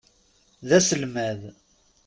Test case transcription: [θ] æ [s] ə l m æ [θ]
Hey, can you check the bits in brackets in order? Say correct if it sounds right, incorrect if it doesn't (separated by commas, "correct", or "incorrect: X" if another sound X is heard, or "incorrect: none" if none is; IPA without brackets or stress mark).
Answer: incorrect: ð, correct, incorrect: ð